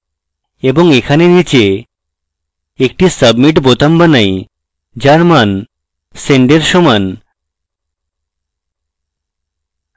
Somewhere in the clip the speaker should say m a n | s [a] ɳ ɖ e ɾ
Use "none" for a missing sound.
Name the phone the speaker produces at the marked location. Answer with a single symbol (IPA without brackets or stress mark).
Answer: e